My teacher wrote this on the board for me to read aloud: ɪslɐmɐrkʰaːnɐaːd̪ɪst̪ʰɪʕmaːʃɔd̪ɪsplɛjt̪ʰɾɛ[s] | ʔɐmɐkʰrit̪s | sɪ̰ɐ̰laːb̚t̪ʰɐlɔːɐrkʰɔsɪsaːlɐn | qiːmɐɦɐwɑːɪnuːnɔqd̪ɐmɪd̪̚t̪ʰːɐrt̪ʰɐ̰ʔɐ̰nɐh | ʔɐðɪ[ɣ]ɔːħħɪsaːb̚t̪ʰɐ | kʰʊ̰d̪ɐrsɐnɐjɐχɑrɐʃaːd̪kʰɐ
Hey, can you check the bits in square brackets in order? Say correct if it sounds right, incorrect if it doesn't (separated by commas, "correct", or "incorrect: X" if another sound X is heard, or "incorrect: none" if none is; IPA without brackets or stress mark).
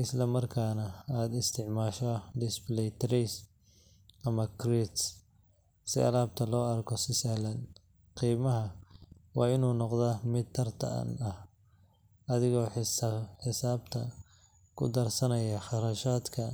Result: correct, correct